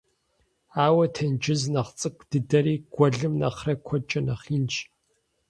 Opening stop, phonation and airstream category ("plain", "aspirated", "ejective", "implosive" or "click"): aspirated